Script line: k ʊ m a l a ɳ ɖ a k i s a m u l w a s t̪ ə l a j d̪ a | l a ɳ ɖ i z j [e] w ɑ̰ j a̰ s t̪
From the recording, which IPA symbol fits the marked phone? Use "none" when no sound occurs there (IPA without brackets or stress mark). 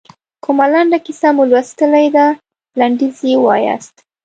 e